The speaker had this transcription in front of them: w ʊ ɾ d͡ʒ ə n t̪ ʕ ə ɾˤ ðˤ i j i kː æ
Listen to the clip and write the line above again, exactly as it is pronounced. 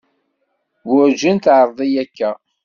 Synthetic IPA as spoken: w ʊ ɾ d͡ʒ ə n t̪ ʕ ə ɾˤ ðˤ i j æ kː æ